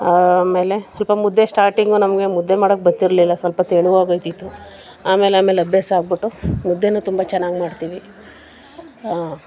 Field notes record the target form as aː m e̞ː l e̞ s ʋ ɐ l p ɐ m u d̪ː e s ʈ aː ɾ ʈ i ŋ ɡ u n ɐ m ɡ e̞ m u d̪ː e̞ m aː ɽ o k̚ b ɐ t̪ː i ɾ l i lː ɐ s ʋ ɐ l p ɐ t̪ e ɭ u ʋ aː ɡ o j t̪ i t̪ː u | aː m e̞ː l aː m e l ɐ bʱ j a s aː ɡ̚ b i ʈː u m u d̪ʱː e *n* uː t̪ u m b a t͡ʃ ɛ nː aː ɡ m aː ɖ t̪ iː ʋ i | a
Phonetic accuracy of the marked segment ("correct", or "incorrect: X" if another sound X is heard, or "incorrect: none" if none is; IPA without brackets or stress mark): correct